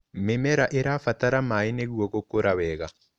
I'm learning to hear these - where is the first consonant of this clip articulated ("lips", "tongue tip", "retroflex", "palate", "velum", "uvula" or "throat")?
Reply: lips